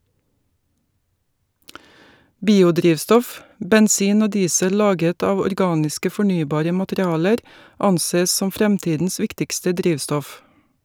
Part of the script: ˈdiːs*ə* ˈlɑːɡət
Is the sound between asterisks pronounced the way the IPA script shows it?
yes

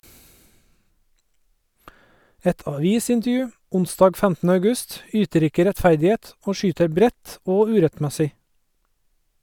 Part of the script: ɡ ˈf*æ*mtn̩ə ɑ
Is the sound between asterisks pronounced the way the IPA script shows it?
yes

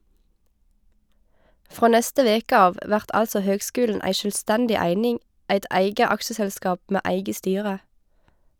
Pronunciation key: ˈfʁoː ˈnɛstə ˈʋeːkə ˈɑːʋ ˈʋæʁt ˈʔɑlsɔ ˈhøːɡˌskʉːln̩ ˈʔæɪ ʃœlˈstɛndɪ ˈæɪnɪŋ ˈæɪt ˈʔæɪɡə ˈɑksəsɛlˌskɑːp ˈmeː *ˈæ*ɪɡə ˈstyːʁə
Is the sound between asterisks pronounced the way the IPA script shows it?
yes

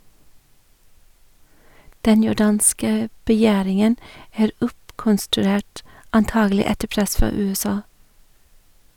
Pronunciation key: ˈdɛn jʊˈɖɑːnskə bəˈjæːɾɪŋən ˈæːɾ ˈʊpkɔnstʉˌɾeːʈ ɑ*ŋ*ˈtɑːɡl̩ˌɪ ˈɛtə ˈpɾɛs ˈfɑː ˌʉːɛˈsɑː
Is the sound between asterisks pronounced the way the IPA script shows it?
no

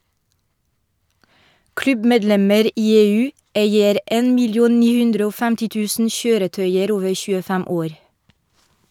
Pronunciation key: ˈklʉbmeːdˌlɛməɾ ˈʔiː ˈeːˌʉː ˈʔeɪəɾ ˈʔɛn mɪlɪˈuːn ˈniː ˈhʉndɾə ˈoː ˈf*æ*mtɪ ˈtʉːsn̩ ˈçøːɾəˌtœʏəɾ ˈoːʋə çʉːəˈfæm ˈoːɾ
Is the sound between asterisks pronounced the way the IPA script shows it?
yes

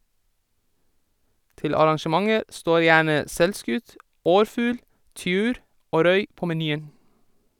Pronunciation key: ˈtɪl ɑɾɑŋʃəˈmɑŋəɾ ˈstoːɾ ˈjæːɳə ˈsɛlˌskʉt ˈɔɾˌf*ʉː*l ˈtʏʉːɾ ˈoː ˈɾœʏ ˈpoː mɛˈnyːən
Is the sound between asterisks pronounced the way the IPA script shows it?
yes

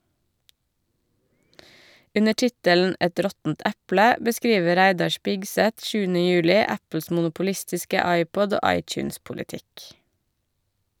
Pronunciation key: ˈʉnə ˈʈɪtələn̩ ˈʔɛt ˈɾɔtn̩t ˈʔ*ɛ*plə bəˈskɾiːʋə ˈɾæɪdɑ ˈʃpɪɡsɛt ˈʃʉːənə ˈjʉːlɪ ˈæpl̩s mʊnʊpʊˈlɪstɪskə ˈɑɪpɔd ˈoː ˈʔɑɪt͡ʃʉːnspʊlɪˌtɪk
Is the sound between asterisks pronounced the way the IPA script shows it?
no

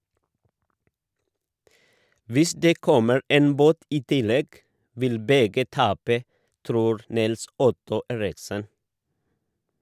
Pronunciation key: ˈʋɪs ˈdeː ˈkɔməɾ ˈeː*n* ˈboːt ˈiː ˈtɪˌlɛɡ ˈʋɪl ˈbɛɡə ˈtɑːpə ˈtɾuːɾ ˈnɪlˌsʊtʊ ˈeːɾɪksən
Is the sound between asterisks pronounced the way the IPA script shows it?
yes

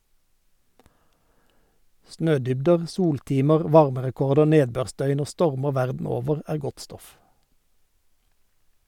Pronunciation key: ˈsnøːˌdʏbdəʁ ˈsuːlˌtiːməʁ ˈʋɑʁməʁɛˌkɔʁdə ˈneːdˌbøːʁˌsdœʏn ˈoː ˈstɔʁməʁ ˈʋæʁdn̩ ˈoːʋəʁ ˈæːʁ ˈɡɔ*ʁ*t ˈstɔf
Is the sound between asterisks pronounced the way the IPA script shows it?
no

